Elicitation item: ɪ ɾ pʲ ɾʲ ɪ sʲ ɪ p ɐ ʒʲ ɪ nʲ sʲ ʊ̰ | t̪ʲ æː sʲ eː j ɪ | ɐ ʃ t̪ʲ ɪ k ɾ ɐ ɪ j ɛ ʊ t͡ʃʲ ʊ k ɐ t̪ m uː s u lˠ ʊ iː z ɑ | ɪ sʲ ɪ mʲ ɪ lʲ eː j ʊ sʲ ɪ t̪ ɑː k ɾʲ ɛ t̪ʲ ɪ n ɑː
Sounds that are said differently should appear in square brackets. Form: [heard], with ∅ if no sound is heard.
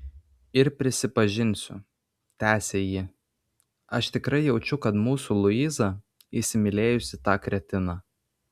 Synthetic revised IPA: ɪ ɾ pʲ ɾʲ ɪ sʲ ɪ p ɐ ʒʲ ɪ nʲ sʲ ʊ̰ | t̪ʲ æː sʲ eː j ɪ | ɐ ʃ t̪ʲ ɪ k ɾ ɐ ɪ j ɛ ʊ t͡ʃʲ ʊ k ɐ t̪ m uː s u lˠ ʊ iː z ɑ | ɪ sʲ ɪ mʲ ɪ lʲ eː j ʊ sʲ ɪ t̪ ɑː k ɾʲ ɛ t̪ʲ ɪ n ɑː